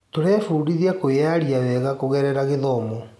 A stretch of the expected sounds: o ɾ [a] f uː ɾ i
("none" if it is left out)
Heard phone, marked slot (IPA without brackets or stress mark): ɛ